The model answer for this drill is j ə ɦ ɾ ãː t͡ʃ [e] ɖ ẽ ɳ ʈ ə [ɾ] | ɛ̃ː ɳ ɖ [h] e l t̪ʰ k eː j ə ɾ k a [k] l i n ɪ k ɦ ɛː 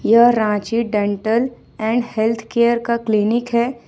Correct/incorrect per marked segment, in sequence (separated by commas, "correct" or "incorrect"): incorrect, incorrect, correct, correct